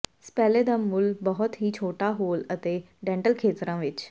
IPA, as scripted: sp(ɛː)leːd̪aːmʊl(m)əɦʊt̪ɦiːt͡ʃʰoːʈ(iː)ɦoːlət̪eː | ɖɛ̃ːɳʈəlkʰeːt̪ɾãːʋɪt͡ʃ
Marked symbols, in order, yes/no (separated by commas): yes, no, no